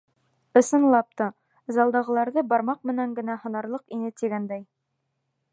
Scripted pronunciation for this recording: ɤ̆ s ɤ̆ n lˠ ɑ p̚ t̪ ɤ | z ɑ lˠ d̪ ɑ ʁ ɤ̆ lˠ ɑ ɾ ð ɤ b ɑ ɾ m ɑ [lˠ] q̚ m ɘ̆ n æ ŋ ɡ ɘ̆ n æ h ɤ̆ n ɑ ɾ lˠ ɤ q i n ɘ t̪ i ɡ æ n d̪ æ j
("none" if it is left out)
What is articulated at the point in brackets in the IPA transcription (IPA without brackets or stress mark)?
none